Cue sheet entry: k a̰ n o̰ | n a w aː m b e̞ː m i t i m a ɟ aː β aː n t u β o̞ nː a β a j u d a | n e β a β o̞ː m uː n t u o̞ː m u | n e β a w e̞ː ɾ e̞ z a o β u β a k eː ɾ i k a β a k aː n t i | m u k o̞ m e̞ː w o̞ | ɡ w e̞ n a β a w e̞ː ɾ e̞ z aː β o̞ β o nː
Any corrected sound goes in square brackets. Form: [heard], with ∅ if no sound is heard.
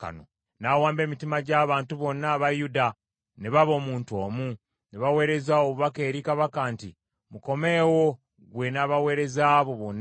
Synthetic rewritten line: k a̰ n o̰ | n a w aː m b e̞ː m i t i m a ɟ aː β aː n t u β o̞ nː a β a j u d a | n e β a β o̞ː m uː n t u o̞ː m u | n e β a w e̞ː ɾ e̞ z a o β u β a k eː ɾ i k a β a k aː n t i | m u k o̞ m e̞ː w o̞ | ɡ w e̞ n a β a w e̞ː ɾ e̞ z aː β o̞ β o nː